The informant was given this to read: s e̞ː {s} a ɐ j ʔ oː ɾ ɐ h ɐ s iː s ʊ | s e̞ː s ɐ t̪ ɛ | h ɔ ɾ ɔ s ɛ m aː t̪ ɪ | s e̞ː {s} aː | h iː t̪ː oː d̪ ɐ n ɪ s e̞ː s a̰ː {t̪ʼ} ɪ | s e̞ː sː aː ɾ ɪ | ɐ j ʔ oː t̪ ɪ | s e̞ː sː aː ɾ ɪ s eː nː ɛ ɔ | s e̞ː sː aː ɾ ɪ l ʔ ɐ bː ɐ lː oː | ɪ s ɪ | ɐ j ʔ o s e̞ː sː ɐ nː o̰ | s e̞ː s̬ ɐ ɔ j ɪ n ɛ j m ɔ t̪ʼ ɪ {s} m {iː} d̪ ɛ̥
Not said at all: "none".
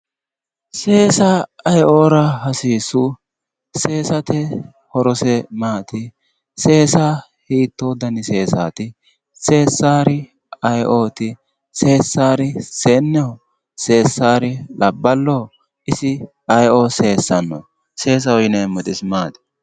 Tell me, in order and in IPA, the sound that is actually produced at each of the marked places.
s, s, t̪, s, aː

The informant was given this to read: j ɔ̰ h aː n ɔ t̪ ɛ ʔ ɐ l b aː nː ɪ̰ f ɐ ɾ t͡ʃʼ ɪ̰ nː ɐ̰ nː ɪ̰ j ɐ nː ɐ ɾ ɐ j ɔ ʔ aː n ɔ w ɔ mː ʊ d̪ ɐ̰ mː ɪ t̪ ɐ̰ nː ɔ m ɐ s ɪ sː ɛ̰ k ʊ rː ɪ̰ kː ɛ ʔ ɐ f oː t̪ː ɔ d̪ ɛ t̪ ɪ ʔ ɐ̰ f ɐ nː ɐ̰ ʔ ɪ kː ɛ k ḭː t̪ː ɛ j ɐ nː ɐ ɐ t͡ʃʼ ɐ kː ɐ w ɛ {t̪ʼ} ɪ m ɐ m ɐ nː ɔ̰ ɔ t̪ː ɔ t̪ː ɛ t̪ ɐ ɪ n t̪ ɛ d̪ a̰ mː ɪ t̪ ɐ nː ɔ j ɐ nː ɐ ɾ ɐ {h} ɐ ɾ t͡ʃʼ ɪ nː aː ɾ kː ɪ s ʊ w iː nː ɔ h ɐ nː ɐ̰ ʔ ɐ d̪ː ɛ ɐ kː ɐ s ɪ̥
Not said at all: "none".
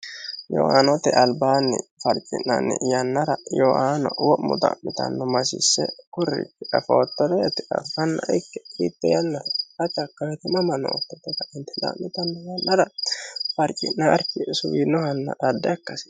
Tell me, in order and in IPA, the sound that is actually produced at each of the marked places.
t̪, f

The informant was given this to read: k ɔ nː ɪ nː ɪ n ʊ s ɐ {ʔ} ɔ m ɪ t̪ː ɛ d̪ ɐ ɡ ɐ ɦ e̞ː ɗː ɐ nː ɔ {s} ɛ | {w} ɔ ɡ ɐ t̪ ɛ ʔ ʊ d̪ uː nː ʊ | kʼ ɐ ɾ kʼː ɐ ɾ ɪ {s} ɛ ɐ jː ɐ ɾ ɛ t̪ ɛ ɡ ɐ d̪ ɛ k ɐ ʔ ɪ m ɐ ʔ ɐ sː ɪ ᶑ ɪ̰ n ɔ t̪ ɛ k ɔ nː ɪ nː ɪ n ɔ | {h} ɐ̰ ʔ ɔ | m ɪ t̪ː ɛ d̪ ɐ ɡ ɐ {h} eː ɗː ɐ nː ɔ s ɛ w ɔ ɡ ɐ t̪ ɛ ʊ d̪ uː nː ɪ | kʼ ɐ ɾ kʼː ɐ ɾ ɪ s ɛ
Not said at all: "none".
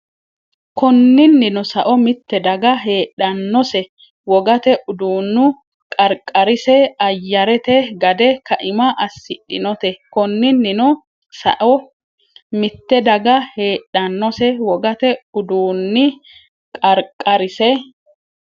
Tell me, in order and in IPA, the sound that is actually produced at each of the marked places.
ʔ, s, w, s, s, h

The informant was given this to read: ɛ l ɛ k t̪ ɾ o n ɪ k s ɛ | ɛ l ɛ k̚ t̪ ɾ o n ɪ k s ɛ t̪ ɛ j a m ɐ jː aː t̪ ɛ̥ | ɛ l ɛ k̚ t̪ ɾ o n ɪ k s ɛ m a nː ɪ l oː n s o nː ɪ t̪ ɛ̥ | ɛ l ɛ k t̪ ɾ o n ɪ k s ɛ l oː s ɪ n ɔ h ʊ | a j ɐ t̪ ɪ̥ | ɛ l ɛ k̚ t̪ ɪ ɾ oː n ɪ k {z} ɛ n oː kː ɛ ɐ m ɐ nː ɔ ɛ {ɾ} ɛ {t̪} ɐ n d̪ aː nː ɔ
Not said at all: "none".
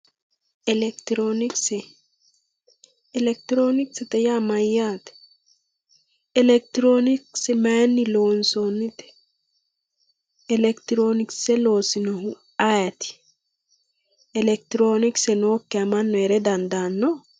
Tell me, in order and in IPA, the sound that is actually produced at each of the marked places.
s, ɾ, d̪

